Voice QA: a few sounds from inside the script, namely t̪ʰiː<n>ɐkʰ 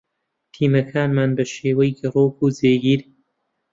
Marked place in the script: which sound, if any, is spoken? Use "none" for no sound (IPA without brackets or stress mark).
m